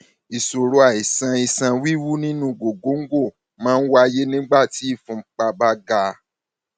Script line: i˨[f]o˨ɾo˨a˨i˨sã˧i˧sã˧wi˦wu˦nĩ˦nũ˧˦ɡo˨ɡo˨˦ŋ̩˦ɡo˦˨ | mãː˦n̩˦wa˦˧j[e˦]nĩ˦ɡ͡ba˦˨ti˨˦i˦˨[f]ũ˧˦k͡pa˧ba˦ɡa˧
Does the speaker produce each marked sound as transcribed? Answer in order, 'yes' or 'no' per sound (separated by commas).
no, yes, yes